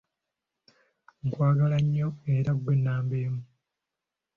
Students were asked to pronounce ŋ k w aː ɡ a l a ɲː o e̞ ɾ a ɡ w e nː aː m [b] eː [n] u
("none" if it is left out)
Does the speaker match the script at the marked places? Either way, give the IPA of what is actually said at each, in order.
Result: b, m

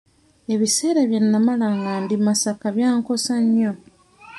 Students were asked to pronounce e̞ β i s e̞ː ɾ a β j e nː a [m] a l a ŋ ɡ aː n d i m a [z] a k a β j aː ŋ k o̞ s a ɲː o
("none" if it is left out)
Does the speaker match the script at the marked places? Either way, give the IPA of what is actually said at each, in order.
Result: m, s

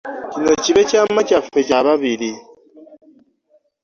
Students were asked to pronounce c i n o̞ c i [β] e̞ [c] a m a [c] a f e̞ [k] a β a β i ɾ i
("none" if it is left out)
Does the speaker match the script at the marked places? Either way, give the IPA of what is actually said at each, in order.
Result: β, c, c, c

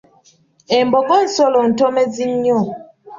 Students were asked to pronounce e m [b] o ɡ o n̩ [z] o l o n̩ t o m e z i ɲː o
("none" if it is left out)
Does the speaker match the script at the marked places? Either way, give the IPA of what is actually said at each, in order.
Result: b, s

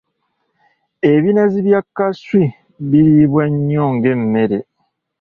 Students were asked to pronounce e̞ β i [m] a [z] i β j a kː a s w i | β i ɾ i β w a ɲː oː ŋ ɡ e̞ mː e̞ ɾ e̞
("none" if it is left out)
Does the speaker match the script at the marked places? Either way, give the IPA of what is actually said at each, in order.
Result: n, z

